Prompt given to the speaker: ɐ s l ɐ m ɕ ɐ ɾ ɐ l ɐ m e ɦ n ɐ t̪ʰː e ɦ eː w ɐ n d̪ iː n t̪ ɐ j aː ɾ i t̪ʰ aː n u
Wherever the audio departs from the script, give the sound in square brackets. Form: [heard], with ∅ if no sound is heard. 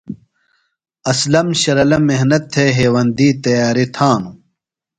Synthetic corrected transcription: ɐ s l ɐ m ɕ ɐ ɾ ɐ l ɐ m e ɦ n ɐ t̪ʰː e ɦ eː w ɐ n d̪ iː [∅] t̪ ɐ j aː ɾ i t̪ʰ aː n u